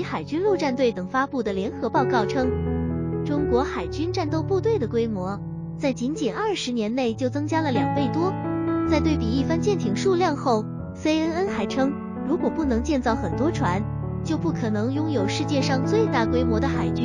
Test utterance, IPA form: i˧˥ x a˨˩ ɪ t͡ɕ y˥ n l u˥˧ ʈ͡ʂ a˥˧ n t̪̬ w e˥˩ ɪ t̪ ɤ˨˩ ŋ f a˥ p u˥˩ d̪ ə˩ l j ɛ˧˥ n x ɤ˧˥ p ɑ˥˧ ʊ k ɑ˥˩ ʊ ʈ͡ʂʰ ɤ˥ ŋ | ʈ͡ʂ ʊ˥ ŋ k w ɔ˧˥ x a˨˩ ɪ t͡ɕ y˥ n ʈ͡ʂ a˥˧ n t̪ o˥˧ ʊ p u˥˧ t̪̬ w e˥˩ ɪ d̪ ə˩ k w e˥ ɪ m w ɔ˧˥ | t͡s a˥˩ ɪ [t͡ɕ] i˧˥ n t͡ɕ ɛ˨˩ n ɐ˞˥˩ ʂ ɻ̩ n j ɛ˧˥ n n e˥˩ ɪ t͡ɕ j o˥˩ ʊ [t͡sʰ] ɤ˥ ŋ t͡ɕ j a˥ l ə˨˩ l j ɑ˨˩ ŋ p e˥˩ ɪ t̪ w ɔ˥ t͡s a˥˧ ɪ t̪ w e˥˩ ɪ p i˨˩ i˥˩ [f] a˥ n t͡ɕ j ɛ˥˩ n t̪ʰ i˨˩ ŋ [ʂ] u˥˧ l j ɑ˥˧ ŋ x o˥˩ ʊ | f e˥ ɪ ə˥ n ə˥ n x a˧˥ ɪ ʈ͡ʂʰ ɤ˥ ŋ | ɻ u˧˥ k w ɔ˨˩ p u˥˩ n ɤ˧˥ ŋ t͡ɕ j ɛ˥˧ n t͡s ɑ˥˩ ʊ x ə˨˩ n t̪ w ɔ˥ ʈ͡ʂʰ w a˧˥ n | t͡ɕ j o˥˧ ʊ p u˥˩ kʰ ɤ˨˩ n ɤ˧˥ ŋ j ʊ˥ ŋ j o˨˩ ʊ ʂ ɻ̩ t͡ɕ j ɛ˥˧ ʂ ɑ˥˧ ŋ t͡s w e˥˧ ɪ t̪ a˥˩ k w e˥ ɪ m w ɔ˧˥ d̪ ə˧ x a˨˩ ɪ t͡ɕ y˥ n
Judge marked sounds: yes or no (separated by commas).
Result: yes, no, yes, yes